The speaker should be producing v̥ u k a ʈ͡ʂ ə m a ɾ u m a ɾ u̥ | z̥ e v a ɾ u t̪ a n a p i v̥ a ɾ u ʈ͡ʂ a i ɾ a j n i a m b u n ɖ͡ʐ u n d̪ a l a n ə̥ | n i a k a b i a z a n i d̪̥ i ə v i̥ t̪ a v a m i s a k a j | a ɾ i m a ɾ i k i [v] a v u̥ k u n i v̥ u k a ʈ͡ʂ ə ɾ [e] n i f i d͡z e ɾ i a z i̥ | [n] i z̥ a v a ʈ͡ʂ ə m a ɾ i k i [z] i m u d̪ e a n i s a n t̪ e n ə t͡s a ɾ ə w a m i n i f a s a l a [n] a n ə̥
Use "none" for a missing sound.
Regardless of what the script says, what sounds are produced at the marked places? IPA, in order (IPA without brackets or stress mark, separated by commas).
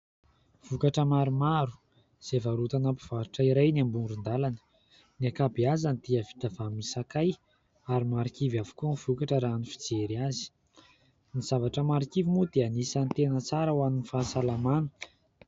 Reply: v, a, n, v, m